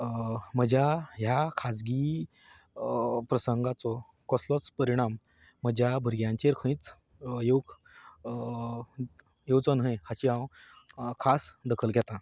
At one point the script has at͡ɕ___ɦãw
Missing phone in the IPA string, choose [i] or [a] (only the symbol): i